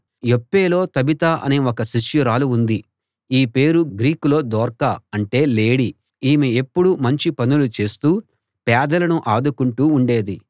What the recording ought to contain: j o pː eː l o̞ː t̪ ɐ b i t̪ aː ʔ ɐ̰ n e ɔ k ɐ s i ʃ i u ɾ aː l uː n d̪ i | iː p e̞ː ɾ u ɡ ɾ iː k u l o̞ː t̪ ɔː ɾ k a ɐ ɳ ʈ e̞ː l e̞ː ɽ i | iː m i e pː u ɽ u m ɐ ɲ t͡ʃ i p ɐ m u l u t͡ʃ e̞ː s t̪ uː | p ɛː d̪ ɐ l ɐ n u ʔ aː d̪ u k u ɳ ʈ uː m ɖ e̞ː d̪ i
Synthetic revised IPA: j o pː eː l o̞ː t̪ ɐ b i t̪ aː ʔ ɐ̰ n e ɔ k ɐ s i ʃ j u ɾ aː l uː n d̪ i | iː p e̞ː ɾ u ɡ ɾ iː k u l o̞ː d̪ ɔː ɾ k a ɐ ɳ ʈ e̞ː l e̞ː ɽ i | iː m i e pː u ɽ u m ɐ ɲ t͡ʃ i p ɐ n u l u t͡ʃ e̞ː s t̪ uː | p ɛː d̪ ɐ l ɐ n u ʔ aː d̪ u k u ɳ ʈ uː ɳ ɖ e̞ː d̪ i